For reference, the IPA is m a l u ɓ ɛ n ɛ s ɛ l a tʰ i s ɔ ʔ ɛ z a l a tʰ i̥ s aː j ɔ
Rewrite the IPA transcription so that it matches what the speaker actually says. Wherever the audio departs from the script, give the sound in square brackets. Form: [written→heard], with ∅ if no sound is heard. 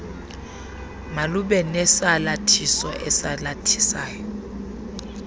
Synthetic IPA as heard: m a l u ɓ ɛ n ɛ s [ɛ→a] l a tʰ i s ɔ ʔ ɛ [z→s] a l a tʰ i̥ s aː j ɔ